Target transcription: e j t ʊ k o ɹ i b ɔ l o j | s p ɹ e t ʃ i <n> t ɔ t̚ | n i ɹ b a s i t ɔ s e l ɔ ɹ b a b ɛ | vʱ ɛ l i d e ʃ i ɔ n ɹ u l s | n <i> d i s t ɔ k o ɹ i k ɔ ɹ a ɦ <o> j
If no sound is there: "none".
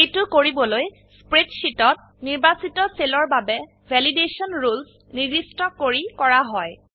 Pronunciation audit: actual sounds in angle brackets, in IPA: none, i, ɔ

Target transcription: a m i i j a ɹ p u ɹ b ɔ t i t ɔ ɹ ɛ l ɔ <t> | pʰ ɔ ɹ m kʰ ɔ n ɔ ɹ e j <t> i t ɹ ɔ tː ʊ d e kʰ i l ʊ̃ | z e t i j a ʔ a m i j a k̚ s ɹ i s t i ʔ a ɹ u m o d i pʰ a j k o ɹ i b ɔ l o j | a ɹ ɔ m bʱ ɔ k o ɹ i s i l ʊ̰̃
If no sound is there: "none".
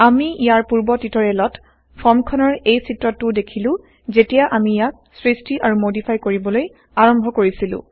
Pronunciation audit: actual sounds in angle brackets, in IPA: t, s

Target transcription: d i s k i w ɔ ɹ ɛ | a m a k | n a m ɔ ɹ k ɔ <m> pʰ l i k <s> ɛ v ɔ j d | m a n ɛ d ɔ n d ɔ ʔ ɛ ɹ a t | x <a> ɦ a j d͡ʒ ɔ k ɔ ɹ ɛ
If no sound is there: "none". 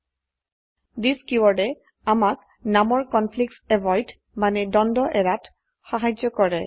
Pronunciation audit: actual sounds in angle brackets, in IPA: n, s, a

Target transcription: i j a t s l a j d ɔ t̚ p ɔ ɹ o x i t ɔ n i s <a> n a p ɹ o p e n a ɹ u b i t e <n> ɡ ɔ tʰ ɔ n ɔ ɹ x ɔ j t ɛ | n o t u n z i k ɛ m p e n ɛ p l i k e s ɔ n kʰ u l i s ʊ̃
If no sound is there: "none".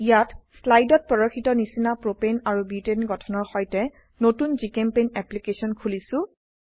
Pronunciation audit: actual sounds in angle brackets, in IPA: i, n

